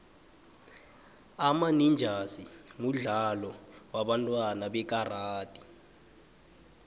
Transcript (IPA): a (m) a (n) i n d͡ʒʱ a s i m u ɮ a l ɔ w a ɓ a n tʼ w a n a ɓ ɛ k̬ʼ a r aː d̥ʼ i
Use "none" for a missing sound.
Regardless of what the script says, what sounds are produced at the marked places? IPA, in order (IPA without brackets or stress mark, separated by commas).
m, n